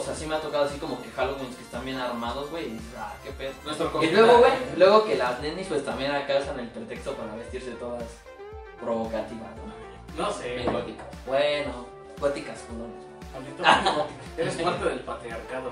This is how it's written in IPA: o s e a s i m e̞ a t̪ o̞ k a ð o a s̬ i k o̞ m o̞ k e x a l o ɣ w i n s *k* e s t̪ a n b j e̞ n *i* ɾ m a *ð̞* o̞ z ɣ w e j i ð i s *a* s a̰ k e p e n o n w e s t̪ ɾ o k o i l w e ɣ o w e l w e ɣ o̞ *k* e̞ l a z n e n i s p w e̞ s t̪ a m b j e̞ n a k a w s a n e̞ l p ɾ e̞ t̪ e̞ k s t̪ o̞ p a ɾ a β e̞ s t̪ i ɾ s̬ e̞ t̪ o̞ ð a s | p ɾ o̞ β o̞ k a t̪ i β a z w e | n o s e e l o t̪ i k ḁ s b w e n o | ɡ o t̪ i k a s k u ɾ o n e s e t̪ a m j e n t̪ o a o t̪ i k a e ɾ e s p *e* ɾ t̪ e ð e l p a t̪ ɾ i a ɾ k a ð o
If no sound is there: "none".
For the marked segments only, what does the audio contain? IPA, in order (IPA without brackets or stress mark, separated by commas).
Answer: k, a, ð̞, e, k, a